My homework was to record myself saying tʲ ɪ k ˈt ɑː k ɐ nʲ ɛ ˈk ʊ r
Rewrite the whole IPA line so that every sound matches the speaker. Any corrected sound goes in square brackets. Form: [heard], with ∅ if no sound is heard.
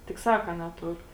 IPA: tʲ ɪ k [ˈs] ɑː k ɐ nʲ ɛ [ˈt] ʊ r

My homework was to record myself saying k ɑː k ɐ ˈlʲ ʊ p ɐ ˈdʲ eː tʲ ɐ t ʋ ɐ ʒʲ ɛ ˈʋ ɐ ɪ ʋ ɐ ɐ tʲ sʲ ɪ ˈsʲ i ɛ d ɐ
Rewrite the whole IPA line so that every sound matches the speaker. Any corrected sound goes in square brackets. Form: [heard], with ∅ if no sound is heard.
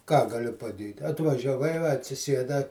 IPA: k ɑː [ɡ] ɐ ˈlʲ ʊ p ɐ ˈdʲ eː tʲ ɐ t ʋ ɐ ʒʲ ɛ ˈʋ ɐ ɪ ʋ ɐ ɐ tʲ sʲ ɪ ˈsʲ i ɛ d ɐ

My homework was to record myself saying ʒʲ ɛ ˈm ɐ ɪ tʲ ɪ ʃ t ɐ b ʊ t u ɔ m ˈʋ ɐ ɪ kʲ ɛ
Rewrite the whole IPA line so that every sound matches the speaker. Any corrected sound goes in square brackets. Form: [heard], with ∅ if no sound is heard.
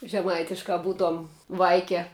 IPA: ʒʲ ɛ ˈm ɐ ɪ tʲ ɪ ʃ [k] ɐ b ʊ t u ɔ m ˈʋ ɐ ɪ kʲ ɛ

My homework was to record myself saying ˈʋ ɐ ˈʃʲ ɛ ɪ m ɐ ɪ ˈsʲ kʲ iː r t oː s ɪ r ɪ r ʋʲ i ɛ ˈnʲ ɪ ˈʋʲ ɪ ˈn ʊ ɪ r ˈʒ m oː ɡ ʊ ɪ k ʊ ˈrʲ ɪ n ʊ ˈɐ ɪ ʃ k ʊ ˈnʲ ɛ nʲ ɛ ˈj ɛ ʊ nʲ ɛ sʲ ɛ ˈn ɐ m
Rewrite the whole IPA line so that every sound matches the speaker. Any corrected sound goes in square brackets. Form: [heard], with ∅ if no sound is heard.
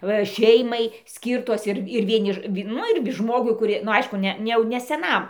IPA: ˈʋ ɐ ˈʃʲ ɛ ɪ m ɐ ɪ ˈsʲ kʲ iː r t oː s ɪ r ɪ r ʋʲ i ɛ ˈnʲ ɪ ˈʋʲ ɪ ˈn ʊ ɪ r ˈʒ m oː ɡ ʊ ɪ k ʊ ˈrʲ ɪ n ʊ ˈɐ ɪ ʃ k ʊ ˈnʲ ɛ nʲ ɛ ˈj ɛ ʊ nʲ ɛ sʲ ɛ ˈn ɐ m

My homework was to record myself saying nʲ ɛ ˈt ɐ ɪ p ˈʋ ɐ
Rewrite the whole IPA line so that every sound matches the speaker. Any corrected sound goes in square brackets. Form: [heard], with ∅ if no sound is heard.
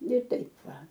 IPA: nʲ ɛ ˈt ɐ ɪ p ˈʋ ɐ

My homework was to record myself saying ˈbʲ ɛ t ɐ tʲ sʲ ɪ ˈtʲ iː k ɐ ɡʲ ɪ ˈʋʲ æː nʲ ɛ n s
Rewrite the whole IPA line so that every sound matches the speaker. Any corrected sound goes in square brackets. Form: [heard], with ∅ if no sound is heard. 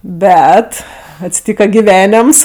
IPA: ˈbʲ ɛ t ɐ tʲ sʲ ɪ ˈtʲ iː k ɐ ɡʲ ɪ ˈʋʲ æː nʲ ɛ [m] s

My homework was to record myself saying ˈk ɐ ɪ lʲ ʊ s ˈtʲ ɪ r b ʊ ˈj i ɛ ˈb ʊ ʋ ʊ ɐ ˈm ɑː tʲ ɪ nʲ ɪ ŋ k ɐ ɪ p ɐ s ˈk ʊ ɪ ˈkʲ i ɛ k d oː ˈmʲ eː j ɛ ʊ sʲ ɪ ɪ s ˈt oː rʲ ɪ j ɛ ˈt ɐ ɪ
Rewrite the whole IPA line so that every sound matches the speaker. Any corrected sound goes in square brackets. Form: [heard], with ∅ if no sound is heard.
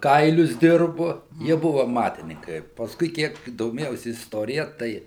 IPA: ˈk ɐ ɪ lʲ ʊ s [ˈdʲ] ɪ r b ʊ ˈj i ɛ ˈb ʊ ʋ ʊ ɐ ˈm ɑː tʲ ɪ nʲ ɪ ŋ k ɐ ɪ p ɐ s ˈk ʊ ɪ ˈkʲ i ɛ k d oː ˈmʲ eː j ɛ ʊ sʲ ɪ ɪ s ˈt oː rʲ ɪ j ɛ ˈt ɐ ɪ

